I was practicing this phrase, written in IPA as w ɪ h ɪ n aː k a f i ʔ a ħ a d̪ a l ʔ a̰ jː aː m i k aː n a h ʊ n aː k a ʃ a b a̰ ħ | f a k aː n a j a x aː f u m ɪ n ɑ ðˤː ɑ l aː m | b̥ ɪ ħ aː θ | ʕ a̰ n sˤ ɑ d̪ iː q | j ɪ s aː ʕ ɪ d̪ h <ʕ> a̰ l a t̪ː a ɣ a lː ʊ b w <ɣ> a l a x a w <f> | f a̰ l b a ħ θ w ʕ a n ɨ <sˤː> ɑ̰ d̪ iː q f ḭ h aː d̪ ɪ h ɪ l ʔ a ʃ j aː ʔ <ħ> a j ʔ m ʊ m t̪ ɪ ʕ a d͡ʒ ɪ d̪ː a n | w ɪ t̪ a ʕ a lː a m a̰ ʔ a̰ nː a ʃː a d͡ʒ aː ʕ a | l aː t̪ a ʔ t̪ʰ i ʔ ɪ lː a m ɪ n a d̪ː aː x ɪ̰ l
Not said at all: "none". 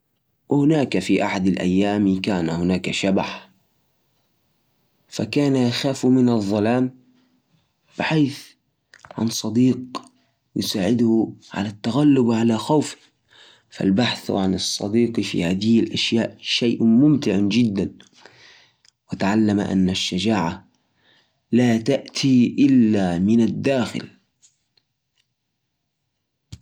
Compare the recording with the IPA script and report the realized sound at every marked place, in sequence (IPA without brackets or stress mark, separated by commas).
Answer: ʕ, ʕ, f, sˤː, ʃ